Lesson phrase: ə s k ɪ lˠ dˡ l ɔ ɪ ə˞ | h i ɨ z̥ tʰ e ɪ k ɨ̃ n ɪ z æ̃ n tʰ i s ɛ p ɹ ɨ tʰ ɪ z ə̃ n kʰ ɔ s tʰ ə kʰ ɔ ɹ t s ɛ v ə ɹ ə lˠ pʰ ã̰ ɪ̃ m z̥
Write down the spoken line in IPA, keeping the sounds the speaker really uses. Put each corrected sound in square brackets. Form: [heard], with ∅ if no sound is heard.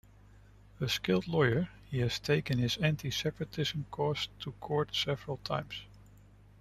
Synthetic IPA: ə s k ɪ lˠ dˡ l ɔ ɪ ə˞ | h i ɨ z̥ tʰ e ɪ k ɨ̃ n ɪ z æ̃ n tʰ i s ɛ p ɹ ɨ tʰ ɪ z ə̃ [m] kʰ ɔ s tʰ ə kʰ ɔ ɹ t s ɛ v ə ɹ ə lˠ [tʰ] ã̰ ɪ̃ m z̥